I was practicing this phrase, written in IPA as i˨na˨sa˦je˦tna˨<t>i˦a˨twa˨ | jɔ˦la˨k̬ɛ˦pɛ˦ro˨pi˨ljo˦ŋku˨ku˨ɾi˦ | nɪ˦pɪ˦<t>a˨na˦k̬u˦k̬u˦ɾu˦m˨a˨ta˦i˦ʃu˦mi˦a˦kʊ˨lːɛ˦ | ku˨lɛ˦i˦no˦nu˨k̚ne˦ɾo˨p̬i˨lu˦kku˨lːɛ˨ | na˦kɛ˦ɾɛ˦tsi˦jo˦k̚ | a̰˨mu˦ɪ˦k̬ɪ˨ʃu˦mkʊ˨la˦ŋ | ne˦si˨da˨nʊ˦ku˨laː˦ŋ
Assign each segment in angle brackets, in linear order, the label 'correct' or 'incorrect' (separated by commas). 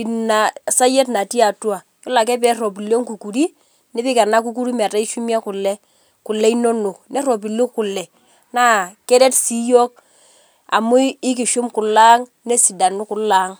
correct, incorrect